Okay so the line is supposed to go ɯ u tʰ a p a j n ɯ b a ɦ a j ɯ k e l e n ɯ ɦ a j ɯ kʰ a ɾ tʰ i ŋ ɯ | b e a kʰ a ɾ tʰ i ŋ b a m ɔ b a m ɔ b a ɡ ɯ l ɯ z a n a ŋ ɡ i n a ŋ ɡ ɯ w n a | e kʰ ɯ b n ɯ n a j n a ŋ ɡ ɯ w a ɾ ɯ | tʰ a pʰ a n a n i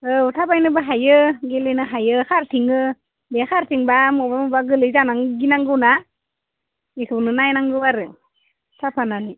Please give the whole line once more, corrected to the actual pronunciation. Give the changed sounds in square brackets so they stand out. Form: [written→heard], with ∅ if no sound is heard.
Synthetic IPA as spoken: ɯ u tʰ a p a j n ɯ b a ɦ a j ɯ [k→ɡ] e l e n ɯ ɦ a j ɯ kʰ a ɾ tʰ i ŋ ɯ | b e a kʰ a ɾ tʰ i ŋ b a m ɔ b a m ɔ b a ɡ ɯ l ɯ z a n a ŋ ɡ i n a ŋ ɡ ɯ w n a | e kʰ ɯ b n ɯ n a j n a ŋ ɡ ɯ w a ɾ ɯ | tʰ a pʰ a n a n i